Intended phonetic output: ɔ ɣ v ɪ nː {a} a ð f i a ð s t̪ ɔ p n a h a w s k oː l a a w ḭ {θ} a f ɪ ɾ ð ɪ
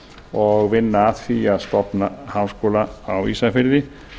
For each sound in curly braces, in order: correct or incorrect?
correct, incorrect: s

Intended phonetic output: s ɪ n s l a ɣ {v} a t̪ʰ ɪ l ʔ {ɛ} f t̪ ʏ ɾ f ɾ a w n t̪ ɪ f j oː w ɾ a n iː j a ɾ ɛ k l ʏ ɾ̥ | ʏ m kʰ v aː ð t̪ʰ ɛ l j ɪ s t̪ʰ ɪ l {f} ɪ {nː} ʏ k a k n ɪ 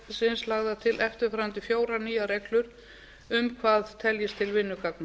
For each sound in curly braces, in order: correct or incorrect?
incorrect: ð, correct, incorrect: v, correct

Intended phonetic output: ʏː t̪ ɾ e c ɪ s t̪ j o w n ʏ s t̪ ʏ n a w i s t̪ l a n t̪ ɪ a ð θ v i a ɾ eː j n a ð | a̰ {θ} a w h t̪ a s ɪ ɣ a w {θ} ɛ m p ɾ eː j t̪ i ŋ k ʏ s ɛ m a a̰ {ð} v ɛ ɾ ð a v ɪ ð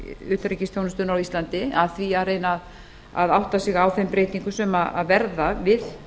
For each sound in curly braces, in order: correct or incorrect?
incorrect: ð, correct, correct

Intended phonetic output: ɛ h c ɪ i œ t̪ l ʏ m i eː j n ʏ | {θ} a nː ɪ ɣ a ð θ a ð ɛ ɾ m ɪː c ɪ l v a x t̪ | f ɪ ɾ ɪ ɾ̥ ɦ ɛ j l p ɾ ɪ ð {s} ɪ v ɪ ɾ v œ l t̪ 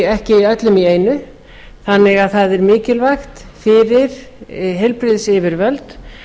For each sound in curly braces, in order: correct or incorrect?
correct, correct

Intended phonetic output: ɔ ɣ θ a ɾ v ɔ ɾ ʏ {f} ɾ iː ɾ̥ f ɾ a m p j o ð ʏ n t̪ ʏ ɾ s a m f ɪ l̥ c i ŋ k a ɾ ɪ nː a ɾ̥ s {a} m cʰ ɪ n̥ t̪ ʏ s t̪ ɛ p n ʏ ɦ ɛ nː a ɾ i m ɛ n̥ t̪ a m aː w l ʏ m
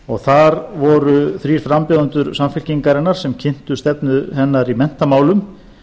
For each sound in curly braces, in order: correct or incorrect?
incorrect: θ, incorrect: ɛ

